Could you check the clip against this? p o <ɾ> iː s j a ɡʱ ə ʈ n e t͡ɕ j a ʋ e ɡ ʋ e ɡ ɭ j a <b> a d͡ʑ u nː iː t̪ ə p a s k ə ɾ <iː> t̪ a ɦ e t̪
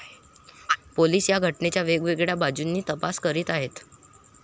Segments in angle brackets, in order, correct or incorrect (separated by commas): incorrect, correct, correct